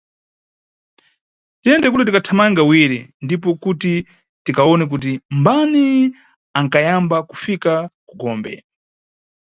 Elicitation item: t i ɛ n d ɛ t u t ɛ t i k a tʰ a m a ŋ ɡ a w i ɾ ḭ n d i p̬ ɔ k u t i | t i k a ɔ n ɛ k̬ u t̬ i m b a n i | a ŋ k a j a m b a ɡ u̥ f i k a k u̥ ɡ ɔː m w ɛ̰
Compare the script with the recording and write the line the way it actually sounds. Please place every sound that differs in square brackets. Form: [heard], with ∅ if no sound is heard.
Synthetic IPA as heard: t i ɛ n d ɛ [k] u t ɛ t i k a tʰ a m a ŋ ɡ a w i ɾ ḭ n d i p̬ ɔ k u t i | t i k a ɔ n ɛ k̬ u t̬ i m b a n i | a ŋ k a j a m b a [k] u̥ f i k a k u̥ ɡ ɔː m [b] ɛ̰